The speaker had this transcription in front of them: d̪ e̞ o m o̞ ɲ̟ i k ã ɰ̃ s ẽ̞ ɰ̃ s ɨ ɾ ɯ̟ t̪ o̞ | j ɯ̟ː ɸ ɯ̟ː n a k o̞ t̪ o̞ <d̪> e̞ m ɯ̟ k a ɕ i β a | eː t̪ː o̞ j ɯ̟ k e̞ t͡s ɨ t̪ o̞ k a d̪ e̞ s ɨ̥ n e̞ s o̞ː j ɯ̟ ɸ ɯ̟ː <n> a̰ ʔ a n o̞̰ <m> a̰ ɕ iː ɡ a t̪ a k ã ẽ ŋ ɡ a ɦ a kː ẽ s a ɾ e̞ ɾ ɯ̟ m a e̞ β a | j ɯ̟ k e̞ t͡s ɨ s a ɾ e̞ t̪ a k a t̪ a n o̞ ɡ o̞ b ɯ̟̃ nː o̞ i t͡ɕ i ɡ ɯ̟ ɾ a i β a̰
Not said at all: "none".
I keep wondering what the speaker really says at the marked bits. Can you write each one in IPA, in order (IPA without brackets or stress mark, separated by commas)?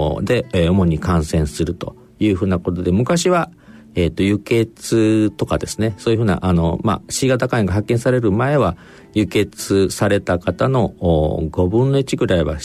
d̪, n, m